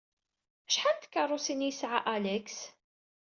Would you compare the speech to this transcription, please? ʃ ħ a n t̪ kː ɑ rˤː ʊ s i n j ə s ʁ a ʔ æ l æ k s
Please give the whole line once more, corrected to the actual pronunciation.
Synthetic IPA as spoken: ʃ ħ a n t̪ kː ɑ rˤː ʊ s i n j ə s ʕ a ʔ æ l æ k s

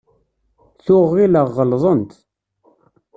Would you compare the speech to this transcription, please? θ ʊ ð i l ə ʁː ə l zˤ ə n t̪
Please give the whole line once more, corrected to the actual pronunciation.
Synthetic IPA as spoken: θ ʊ ʁ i l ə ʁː ə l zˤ ə n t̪

